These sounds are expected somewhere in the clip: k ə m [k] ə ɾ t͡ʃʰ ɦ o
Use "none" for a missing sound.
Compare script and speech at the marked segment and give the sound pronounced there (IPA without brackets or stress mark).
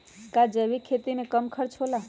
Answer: kʰ